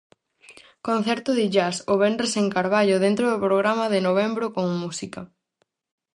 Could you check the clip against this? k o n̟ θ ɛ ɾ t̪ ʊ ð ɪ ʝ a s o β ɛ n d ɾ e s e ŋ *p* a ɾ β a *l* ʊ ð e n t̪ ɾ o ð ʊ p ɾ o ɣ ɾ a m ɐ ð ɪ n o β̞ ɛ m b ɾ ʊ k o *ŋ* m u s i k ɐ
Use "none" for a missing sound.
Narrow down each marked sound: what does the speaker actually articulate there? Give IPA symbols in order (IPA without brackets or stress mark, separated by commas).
k, ʎ, ŋ